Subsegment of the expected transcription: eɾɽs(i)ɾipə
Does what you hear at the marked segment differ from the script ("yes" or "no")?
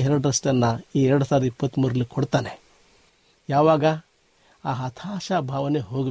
yes